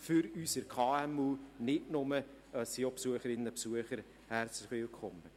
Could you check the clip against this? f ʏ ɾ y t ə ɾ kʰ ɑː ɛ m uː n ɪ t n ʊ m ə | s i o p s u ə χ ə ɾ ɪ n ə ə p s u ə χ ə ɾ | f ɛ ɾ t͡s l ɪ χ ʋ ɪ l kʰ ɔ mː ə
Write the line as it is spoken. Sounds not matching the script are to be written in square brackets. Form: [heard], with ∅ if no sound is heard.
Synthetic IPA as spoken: f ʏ ɾ y [s] ə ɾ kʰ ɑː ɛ m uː n ɪ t n ʊ m ə | s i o p s u ə χ ə ɾ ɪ n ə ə p s u ə χ ə ɾ | [h] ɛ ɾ t͡s l ɪ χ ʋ ɪ l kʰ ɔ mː ə